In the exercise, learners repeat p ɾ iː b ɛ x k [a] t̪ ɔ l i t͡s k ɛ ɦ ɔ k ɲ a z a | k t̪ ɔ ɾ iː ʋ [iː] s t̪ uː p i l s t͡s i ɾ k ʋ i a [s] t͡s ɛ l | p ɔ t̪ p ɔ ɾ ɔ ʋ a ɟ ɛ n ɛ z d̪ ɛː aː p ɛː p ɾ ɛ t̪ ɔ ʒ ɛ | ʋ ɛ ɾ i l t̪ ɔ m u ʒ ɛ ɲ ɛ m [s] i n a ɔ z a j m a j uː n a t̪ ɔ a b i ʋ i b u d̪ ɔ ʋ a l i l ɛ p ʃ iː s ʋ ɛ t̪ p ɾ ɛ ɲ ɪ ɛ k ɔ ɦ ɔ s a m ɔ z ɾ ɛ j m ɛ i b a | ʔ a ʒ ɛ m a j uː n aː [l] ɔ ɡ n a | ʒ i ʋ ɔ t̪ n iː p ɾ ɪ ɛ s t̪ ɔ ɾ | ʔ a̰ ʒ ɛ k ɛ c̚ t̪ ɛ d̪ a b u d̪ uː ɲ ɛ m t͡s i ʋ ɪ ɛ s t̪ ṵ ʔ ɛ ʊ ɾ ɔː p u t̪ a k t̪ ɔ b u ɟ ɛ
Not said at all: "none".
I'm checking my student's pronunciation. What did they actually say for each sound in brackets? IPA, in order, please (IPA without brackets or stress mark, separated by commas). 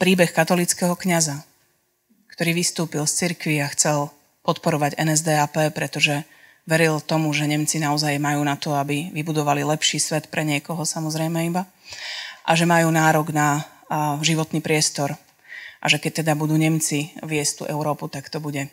a, i, x, t͡s, ɾ